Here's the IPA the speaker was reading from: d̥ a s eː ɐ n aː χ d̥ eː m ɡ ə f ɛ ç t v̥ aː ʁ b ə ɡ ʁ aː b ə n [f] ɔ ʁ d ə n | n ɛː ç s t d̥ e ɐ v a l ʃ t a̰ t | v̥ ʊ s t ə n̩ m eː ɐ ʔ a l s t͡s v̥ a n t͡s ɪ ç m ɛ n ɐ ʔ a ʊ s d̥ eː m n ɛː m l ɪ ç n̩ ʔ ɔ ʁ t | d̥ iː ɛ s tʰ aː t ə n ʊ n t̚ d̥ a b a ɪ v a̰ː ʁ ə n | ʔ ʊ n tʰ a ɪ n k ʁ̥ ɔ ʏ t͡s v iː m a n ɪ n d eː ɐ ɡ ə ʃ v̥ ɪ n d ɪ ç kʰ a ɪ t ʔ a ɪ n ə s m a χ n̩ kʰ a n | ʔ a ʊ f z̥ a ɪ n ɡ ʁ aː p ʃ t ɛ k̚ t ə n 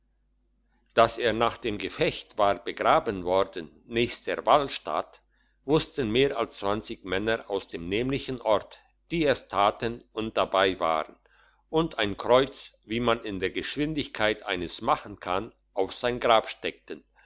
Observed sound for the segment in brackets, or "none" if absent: v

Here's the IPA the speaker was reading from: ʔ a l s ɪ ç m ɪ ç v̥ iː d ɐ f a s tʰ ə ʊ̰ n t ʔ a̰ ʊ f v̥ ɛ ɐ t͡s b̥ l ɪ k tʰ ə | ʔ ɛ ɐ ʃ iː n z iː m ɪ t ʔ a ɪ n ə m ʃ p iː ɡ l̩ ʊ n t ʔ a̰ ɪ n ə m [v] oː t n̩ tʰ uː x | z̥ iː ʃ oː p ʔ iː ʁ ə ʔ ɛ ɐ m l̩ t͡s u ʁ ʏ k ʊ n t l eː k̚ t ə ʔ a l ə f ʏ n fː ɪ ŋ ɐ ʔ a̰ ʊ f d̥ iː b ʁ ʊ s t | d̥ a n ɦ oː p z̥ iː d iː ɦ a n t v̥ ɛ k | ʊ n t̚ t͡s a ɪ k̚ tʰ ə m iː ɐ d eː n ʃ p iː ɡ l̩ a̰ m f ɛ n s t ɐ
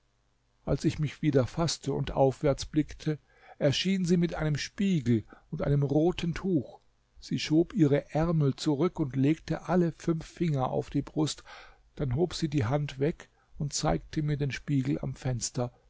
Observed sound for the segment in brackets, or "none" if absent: ʁ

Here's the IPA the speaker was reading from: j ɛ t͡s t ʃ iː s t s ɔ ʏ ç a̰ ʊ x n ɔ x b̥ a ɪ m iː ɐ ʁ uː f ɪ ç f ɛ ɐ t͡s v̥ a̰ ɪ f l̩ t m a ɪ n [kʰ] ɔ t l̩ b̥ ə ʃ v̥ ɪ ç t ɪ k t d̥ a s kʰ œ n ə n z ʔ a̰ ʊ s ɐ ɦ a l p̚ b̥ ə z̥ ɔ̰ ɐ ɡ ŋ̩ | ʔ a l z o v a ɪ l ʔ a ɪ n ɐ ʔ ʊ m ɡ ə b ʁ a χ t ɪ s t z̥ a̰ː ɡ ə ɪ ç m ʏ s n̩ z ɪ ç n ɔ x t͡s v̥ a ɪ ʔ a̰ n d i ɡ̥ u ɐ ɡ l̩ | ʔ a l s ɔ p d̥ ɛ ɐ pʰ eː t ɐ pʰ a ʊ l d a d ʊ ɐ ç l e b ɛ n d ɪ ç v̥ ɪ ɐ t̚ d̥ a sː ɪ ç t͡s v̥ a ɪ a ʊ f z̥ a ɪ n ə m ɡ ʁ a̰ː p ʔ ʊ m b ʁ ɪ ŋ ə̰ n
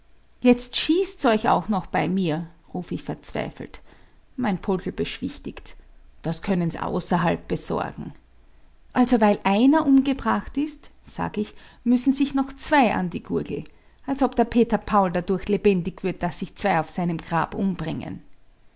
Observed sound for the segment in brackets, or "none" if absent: pʰ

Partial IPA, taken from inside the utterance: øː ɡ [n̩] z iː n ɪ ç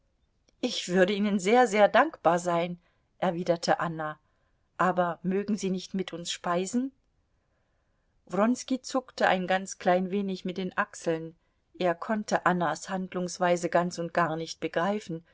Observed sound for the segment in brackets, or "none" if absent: ŋ̩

